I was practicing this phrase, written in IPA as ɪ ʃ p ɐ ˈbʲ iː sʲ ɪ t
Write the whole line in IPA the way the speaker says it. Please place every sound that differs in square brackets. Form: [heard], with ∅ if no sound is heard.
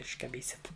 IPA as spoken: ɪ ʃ [k] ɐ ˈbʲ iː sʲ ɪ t